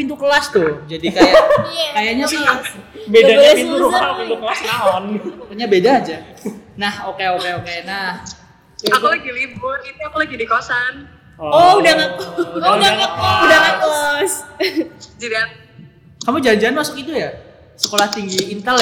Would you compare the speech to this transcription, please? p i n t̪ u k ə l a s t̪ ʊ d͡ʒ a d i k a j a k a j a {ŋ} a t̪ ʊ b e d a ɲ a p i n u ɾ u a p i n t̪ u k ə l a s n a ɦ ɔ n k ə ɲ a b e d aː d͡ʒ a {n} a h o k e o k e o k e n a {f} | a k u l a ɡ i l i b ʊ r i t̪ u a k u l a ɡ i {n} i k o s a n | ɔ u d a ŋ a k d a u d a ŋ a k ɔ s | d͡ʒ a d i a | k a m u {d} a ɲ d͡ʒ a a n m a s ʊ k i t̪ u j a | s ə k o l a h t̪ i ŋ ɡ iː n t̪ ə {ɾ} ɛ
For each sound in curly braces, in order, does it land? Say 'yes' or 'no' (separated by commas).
no, yes, no, no, no, no